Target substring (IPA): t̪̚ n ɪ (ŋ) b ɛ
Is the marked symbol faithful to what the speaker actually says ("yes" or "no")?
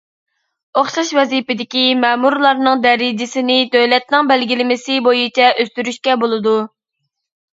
yes